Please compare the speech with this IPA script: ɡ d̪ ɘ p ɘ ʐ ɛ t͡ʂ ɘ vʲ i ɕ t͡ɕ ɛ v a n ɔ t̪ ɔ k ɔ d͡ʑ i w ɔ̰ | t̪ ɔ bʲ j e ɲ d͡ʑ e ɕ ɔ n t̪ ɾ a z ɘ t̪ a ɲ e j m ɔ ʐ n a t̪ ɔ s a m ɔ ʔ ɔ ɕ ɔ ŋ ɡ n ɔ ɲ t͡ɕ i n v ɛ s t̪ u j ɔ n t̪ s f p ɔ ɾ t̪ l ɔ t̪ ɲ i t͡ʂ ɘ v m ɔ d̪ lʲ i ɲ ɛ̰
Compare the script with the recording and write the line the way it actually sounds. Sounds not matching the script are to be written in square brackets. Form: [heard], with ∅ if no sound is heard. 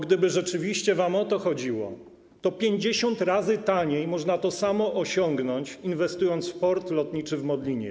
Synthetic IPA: ɡ d̪ ɘ [b] ɘ ʐ ɛ t͡ʂ ɘ vʲ i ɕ t͡ɕ ɛ v a [m] ɔ t̪ ɔ [x] ɔ d͡ʑ i w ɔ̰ | t̪ ɔ [pʲ] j e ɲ d͡ʑ e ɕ ɔ n t̪ ɾ a z ɘ t̪ a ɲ e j m ɔ ʐ n a t̪ ɔ s a m ɔ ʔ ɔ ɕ ɔ ŋ ɡ n ɔ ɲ t͡ɕ i n v ɛ s t̪ u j ɔ n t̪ s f p ɔ ɾ t̪ l ɔ t̪ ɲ i t͡ʂ ɘ v m ɔ d̪ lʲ i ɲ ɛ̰